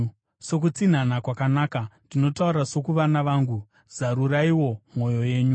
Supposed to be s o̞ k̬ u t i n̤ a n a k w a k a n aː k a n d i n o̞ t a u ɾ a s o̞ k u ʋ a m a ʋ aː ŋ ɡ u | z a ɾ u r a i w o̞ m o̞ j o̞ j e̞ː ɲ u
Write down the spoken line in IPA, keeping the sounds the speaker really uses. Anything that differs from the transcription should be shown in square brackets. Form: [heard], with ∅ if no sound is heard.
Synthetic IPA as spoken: s o̞ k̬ u [t͡s] i n̤ a n a k w a k a n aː k a n d i n o̞ t a u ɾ a s o̞ k u ʋ a [n] a ʋ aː ŋ ɡ u | z a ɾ u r a i w o̞ m o̞ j o̞ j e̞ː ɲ u